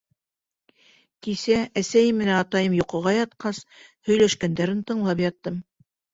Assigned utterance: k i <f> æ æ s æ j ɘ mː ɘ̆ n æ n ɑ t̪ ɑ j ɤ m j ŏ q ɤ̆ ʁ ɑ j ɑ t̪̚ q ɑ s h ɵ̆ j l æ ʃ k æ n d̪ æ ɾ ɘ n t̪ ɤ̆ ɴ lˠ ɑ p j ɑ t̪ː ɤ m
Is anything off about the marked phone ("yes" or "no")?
yes